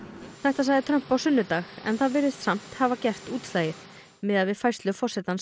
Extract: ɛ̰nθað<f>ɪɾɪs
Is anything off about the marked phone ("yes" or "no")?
yes